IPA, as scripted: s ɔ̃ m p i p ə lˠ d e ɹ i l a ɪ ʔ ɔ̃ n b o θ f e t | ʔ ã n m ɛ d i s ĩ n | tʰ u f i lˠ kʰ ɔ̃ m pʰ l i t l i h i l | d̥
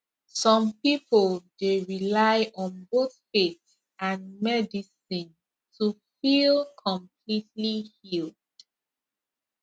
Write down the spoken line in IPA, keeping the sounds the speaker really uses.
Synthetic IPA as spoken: s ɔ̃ m p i p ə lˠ d e ɹ i l a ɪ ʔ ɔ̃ n b o θ f e t | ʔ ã n m ɛ d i s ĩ n | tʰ u f i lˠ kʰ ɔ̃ m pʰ l i t l i h i l | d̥